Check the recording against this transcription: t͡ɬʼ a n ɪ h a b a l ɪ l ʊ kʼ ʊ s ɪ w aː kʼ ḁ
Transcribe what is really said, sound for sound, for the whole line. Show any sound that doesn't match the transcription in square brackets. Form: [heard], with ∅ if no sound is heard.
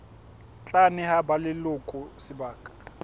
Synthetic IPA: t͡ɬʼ a n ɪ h a b a l ɪ l ʊ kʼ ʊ s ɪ [b] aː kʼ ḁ